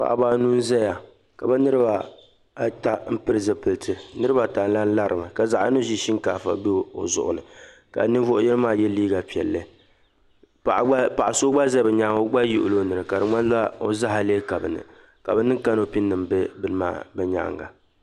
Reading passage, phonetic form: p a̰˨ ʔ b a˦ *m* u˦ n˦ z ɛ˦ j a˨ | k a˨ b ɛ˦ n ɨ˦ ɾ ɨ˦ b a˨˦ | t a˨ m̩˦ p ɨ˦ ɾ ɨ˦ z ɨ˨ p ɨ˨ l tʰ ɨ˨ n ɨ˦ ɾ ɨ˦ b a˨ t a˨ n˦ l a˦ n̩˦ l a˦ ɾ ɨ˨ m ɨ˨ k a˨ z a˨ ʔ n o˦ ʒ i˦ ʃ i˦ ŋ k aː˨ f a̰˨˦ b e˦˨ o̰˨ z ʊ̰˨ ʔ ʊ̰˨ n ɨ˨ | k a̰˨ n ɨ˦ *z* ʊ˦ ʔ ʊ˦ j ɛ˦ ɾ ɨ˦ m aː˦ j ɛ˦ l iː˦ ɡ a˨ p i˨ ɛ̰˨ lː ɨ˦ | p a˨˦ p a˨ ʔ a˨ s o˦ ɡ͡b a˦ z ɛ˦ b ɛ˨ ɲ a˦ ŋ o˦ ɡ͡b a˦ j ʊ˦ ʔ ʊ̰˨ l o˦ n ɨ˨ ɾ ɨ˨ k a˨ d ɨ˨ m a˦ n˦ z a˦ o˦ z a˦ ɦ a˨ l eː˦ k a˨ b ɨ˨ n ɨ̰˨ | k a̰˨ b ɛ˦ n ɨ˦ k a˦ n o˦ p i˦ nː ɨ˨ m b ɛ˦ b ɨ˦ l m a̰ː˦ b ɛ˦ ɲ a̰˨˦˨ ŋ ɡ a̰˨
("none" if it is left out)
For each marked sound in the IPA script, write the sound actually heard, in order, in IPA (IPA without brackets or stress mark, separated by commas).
n, v